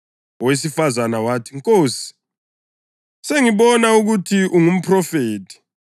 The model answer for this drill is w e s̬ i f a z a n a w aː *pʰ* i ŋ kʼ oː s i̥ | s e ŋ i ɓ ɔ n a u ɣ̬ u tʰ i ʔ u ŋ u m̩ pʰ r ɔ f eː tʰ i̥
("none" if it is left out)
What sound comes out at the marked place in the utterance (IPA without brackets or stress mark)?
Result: tʰ